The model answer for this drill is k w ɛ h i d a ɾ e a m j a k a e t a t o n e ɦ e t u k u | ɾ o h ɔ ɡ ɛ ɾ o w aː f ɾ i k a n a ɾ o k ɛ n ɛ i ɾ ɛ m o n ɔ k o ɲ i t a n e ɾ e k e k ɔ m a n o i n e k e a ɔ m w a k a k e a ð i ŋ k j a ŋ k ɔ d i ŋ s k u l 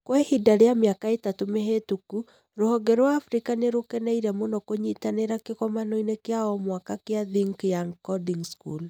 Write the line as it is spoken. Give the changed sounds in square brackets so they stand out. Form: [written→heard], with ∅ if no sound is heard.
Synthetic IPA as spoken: k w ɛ h i d a ɾ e a m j a k a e t a t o [n→m] e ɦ e t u k u | ɾ o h ɔ ɡ ɛ ɾ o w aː f ɾ i k a n [a→e] ɾ o k ɛ n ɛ i ɾ ɛ m o n ɔ k o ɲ i t a n e ɾ [e→a] k e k ɔ m a n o i n e k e a ɔ m w a k a k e a ð i ŋ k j a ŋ k ɔ d i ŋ s k u l